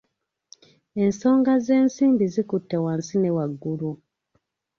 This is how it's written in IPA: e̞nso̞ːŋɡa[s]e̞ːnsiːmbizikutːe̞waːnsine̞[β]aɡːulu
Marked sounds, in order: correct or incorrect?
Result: incorrect: z, incorrect: w

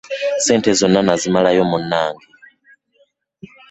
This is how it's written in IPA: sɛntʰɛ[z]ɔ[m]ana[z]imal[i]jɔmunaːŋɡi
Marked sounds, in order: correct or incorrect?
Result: correct, incorrect: n, correct, incorrect: a

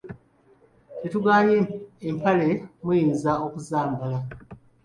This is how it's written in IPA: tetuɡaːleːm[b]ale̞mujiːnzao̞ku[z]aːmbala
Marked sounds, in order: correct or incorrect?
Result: incorrect: p, correct

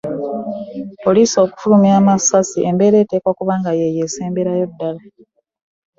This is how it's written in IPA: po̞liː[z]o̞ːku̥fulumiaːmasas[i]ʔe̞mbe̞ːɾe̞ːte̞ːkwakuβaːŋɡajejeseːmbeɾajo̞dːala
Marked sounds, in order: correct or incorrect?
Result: incorrect: s, correct

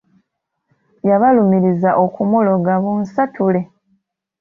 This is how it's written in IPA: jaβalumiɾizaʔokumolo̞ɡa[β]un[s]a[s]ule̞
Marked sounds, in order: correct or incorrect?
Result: correct, correct, incorrect: t

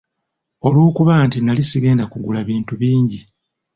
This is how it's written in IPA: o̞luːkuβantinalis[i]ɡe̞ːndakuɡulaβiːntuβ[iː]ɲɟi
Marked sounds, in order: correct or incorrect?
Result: correct, correct

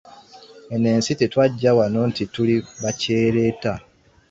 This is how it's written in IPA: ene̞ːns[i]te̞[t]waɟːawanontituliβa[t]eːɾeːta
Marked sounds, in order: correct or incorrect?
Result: correct, correct, incorrect: c

